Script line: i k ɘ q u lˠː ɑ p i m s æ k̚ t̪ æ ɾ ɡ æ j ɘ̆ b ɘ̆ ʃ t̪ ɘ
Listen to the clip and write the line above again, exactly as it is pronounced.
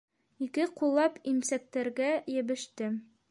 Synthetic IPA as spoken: i k ɘ q u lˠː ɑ p i m s æ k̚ t̪ æ ɾ ɡ æ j ɘ̆ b ɘ̆ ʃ t̪ ɘ